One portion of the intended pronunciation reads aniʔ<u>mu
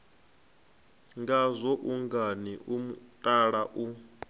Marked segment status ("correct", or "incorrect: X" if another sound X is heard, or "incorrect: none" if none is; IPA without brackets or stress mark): correct